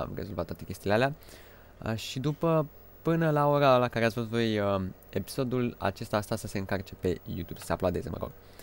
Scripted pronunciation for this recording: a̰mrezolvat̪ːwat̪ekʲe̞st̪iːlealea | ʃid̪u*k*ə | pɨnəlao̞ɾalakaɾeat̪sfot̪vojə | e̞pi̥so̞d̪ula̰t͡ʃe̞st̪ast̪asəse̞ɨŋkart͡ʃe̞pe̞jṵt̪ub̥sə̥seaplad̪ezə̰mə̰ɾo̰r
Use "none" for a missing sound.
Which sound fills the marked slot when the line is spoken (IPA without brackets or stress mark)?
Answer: p